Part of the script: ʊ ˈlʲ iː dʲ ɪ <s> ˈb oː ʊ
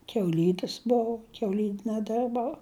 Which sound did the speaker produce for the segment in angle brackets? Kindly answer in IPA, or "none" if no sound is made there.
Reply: s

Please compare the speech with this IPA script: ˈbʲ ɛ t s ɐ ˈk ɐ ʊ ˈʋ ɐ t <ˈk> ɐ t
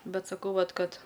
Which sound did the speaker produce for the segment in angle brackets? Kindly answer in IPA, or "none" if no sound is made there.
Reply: k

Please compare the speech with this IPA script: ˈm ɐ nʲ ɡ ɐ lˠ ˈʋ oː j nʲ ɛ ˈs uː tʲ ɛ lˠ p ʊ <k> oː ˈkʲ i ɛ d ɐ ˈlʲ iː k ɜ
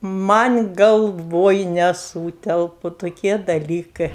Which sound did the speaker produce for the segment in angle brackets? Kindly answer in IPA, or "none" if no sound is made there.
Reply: t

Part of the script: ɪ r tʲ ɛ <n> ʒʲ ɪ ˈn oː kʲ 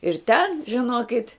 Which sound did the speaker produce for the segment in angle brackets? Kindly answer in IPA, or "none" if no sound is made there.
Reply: n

